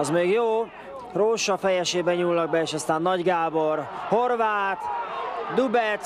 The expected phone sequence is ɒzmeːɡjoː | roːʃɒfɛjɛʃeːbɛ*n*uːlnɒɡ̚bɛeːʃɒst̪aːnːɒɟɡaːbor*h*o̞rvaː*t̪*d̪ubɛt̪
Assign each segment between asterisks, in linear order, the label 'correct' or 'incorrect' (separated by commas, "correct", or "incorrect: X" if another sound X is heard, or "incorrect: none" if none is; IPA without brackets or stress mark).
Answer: incorrect: ɲ, correct, correct